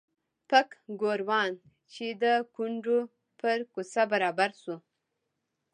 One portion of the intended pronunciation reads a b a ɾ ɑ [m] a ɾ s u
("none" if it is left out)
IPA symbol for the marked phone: b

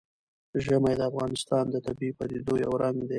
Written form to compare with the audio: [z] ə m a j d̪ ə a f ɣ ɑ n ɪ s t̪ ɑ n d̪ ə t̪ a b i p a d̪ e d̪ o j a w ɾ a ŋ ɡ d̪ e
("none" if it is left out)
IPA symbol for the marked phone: ʒ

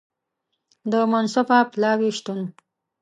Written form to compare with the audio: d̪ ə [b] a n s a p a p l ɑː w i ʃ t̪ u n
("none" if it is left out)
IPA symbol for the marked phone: m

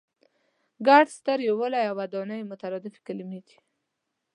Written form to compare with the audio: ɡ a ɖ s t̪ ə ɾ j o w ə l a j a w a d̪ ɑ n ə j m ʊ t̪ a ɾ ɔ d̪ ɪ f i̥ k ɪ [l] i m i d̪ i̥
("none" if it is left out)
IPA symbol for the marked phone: l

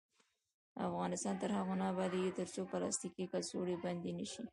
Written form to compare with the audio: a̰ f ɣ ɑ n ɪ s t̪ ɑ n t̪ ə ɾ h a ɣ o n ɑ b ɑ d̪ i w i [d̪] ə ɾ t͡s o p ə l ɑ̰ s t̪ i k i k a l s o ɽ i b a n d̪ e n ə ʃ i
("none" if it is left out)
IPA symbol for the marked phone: t̪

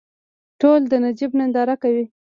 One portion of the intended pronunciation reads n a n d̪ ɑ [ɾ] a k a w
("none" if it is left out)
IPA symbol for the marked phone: ɾ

